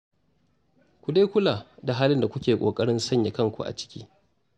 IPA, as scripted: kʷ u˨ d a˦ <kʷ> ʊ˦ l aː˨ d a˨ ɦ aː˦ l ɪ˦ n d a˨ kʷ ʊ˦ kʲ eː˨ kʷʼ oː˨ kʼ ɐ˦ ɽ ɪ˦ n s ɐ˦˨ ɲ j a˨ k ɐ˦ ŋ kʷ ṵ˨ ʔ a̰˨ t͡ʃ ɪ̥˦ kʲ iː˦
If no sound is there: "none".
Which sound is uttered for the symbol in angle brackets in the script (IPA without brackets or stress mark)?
kʷ